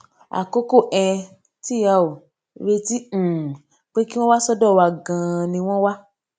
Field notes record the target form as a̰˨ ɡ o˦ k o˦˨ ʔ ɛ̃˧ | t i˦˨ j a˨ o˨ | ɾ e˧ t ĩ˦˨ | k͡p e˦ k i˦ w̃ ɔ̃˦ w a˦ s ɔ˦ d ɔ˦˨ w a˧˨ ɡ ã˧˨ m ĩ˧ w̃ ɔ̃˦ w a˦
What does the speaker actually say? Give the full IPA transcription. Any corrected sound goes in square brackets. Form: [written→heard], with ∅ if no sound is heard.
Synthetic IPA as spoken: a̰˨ [ɡ→k] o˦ k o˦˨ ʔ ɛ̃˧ | t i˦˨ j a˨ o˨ | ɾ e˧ t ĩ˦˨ | k͡p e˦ k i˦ w̃ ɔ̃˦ w a˦ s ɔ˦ d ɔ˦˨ w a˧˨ ɡ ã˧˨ [m→n] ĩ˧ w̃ ɔ̃˦ w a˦